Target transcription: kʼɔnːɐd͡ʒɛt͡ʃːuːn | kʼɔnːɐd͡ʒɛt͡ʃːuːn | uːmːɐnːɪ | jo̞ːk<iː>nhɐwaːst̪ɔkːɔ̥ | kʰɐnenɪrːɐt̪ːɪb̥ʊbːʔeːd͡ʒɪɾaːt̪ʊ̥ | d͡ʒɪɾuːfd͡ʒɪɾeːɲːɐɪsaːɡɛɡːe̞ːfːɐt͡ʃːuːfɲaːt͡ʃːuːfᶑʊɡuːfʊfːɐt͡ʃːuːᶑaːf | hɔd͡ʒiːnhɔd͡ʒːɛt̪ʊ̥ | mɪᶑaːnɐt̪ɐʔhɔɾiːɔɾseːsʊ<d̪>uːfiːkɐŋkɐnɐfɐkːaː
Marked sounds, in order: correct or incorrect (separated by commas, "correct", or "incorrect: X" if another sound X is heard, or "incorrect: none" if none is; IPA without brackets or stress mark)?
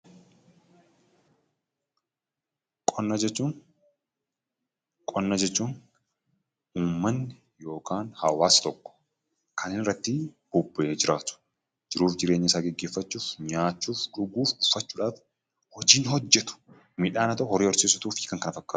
incorrect: aː, incorrect: t̪